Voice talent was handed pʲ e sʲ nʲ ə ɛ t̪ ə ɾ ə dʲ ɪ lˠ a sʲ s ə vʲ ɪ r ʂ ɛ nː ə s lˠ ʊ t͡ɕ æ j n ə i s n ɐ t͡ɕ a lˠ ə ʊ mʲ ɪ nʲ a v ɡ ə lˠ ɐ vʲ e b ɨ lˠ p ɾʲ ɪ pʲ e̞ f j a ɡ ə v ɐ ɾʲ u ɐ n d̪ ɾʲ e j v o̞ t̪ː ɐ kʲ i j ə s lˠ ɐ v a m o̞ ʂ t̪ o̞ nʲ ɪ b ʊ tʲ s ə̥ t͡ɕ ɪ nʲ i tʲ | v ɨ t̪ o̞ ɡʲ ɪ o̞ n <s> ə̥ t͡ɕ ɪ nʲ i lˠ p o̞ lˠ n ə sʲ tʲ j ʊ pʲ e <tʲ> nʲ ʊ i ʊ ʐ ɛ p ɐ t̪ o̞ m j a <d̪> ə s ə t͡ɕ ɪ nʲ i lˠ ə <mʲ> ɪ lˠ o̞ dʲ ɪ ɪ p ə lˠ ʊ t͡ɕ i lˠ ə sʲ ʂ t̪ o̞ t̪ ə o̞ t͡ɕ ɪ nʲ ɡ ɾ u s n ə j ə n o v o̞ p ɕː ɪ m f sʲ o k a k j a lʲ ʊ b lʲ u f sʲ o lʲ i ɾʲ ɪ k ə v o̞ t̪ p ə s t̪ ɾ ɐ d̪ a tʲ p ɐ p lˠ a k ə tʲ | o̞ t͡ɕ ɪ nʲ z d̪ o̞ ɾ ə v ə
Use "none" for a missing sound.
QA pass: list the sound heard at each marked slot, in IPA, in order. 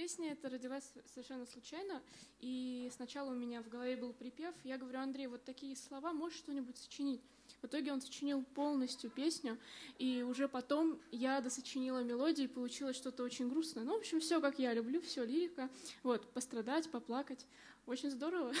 s, sʲ, d̪, mʲ

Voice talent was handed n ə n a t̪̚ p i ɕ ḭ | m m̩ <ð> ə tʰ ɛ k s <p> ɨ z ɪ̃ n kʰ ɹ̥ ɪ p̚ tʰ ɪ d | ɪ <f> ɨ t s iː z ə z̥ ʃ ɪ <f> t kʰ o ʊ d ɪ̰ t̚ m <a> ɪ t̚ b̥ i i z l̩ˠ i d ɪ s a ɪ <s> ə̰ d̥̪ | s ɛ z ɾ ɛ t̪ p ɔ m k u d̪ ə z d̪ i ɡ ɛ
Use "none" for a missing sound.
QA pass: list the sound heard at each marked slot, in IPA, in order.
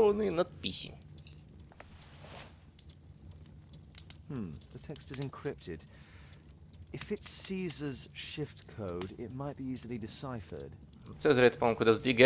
ð, t, f, f, a, f

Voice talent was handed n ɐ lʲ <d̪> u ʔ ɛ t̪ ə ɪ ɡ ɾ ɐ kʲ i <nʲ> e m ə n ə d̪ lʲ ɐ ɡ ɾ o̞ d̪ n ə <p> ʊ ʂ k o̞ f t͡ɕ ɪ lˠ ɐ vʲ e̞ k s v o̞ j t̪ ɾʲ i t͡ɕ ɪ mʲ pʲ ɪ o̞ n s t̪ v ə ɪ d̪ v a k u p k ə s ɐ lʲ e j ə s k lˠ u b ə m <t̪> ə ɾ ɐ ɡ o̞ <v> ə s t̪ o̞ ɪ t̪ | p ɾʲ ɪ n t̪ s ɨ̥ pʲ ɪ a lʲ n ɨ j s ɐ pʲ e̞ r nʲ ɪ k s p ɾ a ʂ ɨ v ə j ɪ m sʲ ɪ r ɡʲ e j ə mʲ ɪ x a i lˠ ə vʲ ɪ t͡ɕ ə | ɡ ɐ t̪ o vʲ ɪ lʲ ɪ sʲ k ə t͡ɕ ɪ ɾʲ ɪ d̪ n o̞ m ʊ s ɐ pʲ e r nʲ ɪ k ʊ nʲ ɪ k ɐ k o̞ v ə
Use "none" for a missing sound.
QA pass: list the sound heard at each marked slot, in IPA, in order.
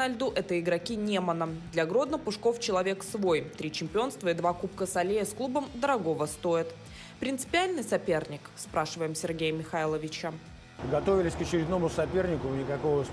d̪, nʲ, p, d̪, v

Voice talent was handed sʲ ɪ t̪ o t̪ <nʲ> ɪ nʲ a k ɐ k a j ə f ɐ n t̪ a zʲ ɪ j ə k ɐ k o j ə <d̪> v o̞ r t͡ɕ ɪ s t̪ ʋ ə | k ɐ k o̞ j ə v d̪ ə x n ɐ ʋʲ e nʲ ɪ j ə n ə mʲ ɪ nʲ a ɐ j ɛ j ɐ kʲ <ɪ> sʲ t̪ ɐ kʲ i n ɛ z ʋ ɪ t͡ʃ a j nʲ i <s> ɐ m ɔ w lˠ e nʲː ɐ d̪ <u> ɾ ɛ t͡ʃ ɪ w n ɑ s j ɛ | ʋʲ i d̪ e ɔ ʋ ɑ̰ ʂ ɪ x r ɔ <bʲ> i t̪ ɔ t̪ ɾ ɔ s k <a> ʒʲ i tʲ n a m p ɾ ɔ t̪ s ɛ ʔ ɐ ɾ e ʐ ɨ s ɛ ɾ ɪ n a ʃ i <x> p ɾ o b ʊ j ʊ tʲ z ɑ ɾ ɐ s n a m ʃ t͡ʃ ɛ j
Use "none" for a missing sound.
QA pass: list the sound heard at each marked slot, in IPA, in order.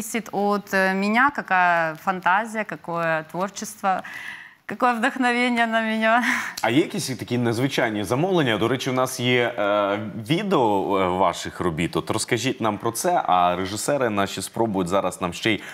mʲ, t̪, i, z, ɔ, bʲ, ɐ, s

